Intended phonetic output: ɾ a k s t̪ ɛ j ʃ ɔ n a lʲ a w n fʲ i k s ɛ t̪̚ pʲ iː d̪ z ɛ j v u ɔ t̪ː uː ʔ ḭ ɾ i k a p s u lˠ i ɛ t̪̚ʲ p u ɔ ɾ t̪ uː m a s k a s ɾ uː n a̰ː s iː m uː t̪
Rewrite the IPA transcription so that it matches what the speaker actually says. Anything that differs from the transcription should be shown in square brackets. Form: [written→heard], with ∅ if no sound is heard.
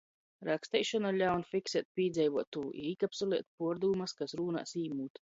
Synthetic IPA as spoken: ɾ a k s t̪ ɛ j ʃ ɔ n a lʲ a w n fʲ i k s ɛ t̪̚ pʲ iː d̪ z ɛ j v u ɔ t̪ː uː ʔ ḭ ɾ i k a p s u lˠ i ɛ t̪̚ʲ p u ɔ ɾ [t̪→d̪] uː m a s k a s ɾ uː n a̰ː s iː m uː t̪